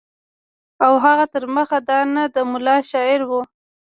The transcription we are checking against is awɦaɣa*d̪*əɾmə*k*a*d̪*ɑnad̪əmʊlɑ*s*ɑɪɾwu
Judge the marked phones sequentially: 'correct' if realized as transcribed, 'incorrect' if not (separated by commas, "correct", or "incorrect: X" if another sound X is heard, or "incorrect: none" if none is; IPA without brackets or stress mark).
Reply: incorrect: t̪, incorrect: x, correct, incorrect: ʃ